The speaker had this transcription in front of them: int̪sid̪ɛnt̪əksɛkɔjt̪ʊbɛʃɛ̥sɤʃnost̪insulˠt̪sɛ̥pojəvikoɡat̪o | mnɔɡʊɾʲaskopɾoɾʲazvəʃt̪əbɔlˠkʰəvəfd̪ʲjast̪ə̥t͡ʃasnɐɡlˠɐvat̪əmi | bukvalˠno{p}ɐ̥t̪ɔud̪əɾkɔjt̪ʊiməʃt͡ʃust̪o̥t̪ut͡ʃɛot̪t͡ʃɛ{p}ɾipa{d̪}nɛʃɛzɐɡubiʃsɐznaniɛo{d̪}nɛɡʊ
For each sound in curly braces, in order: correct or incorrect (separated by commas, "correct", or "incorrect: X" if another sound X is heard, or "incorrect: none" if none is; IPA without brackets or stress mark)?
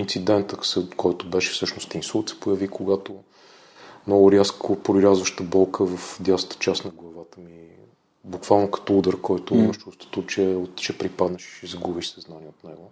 incorrect: k, correct, correct, incorrect: t̪